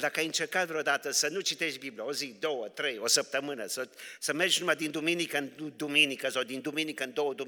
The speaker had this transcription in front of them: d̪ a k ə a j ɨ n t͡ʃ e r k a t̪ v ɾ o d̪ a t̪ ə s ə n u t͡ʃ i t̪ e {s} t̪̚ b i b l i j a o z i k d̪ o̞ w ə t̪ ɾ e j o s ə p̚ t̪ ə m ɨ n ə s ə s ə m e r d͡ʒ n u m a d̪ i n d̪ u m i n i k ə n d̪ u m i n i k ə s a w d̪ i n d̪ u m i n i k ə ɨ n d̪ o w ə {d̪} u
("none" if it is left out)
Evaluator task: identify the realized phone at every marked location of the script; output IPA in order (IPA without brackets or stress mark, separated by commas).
ʃ, d̪